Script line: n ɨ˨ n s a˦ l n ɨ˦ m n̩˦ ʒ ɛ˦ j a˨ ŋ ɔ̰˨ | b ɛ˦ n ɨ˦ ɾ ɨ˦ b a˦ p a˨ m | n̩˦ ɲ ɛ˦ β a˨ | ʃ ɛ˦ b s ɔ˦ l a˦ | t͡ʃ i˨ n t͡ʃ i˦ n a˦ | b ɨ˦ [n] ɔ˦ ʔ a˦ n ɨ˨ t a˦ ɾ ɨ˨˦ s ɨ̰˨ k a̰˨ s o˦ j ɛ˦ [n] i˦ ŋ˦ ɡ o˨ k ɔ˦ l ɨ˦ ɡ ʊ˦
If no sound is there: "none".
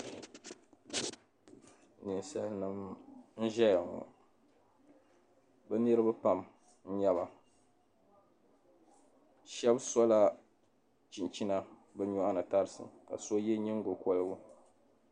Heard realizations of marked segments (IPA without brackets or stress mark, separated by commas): ɲ, ɲ